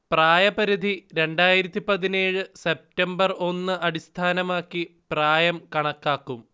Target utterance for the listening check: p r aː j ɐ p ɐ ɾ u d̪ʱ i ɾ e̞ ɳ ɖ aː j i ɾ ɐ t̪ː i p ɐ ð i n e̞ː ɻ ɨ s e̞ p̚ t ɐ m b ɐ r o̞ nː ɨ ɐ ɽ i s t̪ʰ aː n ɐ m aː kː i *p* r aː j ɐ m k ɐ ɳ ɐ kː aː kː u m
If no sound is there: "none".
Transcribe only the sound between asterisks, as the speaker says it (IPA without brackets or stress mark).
p